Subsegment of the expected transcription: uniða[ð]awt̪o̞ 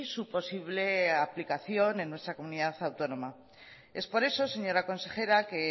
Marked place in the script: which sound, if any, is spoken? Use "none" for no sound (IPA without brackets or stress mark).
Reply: θ